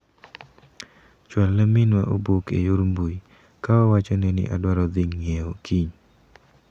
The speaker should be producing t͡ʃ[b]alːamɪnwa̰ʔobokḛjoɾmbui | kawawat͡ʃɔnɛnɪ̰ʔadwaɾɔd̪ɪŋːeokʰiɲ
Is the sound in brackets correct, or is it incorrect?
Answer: incorrect